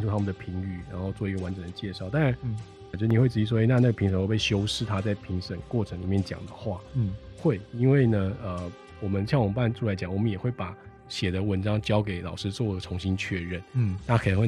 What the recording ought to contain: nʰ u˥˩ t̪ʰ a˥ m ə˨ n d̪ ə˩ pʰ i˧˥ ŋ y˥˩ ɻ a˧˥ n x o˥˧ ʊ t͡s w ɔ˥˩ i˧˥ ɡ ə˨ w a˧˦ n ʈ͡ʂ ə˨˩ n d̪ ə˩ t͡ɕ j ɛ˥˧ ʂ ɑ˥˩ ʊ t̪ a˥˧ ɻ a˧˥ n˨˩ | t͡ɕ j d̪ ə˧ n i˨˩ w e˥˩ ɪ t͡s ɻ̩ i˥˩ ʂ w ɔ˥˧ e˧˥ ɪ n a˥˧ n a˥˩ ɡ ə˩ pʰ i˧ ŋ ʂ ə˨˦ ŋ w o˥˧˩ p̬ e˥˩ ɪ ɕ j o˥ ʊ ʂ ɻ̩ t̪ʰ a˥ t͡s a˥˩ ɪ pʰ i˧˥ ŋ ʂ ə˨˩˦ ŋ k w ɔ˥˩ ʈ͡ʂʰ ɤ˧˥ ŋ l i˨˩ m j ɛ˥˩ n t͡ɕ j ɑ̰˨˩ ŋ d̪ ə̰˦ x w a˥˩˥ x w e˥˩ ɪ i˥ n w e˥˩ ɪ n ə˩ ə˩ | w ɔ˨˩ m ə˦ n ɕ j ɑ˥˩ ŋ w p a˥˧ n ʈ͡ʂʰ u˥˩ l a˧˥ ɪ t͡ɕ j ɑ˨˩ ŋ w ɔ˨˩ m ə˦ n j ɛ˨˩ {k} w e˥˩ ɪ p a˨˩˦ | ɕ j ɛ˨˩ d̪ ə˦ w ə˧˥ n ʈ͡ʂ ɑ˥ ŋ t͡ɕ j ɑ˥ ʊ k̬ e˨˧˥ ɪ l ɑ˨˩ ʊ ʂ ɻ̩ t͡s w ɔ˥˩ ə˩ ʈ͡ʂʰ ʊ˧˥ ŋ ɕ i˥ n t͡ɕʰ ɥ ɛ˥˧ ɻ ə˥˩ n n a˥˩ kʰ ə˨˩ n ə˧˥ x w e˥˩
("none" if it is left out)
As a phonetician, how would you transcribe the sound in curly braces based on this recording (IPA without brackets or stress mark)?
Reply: x